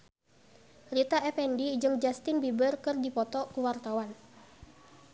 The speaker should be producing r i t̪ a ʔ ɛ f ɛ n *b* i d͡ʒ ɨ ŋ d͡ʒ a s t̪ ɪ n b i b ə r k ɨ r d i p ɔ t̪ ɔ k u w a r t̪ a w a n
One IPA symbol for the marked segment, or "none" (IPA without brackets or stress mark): d